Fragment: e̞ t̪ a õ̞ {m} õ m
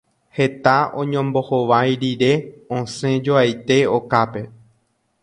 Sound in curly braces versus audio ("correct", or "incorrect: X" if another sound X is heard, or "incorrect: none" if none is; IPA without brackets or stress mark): incorrect: ɲ